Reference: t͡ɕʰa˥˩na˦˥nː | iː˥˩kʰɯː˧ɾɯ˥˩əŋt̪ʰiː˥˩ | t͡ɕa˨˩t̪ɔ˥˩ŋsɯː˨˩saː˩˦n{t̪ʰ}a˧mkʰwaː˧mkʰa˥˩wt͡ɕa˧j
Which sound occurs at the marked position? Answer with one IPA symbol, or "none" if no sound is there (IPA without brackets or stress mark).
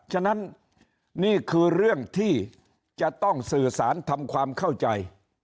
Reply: t̪ʰ